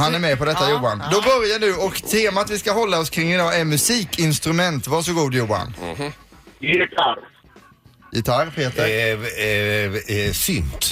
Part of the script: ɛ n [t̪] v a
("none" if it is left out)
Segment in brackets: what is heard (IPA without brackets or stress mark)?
t̪